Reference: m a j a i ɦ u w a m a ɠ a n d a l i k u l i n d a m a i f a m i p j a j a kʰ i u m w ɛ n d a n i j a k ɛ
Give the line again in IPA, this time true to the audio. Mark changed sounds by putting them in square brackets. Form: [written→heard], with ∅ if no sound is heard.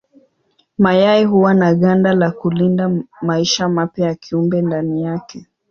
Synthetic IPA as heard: m a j a i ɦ u w a [m→n] a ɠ a n d a l [i→a] k u l i n d a m a i [f→ʃ] a m [i→a] p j a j a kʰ i u m [w→b] ɛ n d a n i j a k ɛ